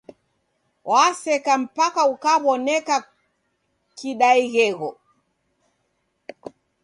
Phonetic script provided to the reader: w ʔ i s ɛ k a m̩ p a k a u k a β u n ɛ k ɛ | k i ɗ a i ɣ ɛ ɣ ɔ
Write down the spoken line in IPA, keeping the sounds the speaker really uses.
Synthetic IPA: w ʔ a s ɛ k a m̩ p a k a u k a β ɔ n ɛ k a | k i ɗ a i ɣ ɛ ɣ ɔ